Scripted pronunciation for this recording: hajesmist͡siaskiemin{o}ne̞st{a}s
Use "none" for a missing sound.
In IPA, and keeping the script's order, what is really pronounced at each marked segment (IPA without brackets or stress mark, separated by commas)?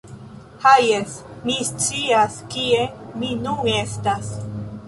u, a